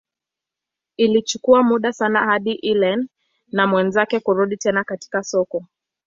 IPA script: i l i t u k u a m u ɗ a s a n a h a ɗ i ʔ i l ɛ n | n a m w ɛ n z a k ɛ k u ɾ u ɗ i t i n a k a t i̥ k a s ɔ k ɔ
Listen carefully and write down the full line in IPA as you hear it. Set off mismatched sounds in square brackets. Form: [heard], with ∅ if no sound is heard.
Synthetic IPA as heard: i l i [t͡ʃ] u k u a m u ɗ a s a n a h a ɗ i ʔ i l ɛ n | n a m w ɛ n z a k ɛ k u ɾ u ɗ i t [ɛ] n a k a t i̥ k a s ɔ k ɔ